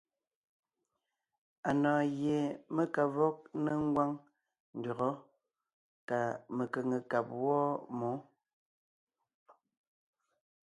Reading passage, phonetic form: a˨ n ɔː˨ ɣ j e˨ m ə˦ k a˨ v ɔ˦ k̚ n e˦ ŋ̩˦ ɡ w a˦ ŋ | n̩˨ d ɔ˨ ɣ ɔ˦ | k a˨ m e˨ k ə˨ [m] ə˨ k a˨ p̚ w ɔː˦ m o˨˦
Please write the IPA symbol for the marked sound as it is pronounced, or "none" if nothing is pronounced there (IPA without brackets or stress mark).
ŋ